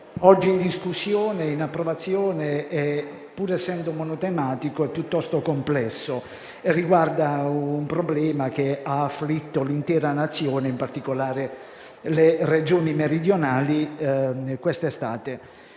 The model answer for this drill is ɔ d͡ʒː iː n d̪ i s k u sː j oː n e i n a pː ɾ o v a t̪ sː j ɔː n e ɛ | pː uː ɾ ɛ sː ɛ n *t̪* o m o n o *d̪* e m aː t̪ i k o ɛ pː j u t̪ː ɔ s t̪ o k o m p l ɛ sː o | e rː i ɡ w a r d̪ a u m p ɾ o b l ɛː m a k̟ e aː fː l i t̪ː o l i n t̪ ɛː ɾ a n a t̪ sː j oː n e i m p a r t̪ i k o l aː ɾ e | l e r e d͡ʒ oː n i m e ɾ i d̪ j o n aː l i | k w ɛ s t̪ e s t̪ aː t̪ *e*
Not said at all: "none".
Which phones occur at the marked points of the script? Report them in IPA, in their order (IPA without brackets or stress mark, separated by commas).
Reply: d̪, t̪, e